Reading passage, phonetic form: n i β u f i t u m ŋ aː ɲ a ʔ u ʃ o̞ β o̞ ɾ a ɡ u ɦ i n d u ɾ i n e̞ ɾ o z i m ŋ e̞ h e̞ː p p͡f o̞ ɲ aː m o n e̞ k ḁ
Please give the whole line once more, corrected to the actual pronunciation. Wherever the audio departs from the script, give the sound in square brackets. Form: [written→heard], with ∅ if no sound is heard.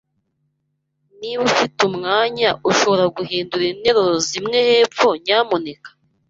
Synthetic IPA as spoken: n i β u f i t u m ŋ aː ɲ a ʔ u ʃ o̞ β o̞ ɾ a ɡ u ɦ [i→iː] n d u ɾ i n e̞ ɾ o z i m ŋ e̞ h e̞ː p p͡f o̞ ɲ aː m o n e̞ k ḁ